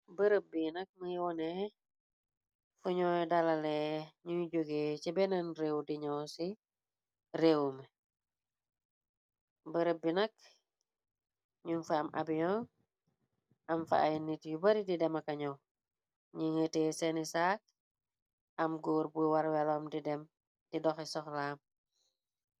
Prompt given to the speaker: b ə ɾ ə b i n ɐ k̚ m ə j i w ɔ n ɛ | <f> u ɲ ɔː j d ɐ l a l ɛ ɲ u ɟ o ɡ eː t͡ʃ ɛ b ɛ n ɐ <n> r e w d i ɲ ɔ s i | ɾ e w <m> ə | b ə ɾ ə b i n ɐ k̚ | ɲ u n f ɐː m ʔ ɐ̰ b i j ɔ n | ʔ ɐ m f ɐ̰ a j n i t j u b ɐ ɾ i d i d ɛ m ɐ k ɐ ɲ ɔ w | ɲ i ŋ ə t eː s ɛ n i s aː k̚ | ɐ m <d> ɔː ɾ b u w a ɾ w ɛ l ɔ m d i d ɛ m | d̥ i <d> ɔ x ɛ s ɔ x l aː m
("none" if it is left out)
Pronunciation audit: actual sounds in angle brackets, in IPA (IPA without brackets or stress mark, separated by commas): f, n, m, ɡ, d